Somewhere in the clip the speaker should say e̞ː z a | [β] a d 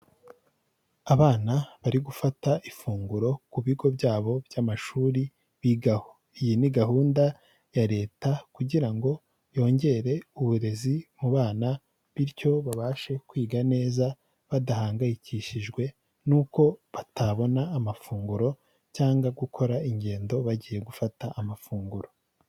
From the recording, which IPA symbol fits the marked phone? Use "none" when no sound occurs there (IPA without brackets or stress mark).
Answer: β